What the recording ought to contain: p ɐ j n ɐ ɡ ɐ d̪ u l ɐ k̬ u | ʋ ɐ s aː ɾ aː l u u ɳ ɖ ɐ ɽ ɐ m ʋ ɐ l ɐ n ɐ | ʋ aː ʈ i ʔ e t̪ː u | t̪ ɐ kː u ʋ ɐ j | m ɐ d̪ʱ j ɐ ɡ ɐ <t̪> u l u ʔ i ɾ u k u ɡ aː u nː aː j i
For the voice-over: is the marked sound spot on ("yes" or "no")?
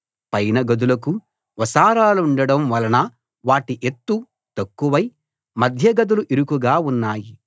no